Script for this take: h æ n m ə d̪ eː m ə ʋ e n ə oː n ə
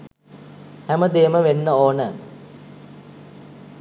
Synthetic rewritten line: h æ m ə d̪ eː m ə ʋ e nː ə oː n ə